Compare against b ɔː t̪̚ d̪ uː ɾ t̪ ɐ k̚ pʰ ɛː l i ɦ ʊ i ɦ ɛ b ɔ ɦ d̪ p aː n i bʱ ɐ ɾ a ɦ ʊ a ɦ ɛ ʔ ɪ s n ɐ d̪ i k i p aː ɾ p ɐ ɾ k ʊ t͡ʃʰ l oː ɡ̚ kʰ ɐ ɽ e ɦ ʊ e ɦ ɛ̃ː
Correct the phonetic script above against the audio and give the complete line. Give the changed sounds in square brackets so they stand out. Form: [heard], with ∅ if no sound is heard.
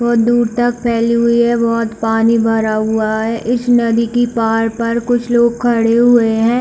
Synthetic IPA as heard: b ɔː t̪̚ d̪ uː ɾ t̪ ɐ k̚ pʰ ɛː l i ɦ ʊ i ɦ ɛ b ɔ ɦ [t̪] p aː n i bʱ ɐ ɾ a ɦ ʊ a ɦ ɛ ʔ ɪ s n ɐ d̪ i k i p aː ɾ p ɐ ɾ k ʊ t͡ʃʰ l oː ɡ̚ kʰ ɐ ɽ e ɦ ʊ e ɦ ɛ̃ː